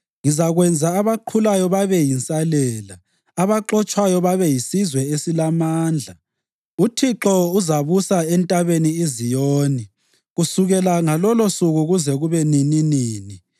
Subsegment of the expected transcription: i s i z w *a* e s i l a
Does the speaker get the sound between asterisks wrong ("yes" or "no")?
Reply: yes